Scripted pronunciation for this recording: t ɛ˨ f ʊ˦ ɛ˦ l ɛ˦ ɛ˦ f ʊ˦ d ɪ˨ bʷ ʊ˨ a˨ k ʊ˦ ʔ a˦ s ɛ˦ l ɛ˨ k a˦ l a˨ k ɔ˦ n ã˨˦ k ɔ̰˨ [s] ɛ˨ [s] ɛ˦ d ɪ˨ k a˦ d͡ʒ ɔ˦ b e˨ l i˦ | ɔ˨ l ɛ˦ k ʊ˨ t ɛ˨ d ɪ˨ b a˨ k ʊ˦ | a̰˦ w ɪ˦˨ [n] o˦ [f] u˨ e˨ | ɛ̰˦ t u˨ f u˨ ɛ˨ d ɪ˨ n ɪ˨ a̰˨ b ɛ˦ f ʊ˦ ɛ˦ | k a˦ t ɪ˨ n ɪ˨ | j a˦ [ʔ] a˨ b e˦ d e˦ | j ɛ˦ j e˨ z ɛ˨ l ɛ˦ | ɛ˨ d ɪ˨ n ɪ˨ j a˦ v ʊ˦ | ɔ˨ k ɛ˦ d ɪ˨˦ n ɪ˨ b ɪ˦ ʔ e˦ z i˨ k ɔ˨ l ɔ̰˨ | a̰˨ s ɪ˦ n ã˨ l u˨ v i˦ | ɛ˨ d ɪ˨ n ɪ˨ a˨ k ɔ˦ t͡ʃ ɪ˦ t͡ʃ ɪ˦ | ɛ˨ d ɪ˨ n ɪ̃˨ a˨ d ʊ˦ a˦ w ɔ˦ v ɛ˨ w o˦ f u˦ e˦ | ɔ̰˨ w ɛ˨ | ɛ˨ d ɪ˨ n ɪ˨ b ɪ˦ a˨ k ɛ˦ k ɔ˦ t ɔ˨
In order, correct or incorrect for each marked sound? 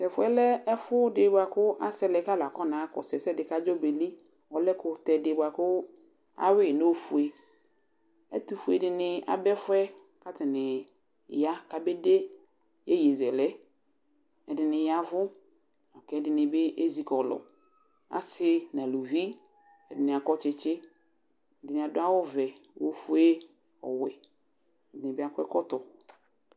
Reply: correct, correct, correct, correct, incorrect: k

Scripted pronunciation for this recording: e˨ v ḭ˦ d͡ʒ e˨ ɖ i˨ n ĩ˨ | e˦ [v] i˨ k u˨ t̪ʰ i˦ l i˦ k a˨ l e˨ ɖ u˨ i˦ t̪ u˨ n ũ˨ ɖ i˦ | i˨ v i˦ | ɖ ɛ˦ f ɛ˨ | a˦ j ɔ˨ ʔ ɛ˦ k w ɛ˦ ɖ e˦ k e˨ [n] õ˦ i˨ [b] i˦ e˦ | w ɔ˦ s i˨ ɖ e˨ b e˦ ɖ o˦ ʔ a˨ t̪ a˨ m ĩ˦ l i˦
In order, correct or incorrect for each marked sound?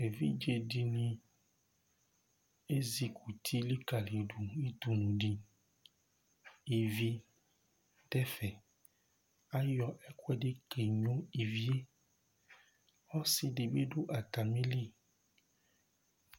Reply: incorrect: z, incorrect: ɲ, incorrect: v

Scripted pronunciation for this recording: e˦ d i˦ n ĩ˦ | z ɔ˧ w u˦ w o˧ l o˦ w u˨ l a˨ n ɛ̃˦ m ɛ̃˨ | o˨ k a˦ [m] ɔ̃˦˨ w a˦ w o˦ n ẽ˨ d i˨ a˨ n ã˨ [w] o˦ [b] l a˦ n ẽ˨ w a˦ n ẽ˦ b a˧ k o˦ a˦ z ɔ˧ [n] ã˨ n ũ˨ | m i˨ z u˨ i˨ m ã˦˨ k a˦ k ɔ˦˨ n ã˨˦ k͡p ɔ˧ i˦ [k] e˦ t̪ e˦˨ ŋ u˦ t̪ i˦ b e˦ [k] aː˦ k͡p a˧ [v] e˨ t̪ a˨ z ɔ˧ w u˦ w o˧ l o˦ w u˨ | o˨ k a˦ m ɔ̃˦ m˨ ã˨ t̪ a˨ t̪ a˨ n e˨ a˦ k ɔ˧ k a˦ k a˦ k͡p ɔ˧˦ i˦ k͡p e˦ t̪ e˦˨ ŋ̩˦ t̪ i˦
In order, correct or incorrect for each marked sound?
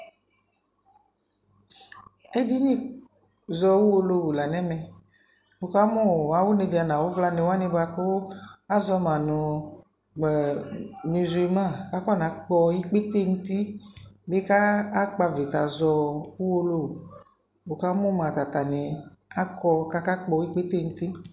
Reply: correct, correct, incorrect: v, incorrect: m, incorrect: k͡p, correct, correct

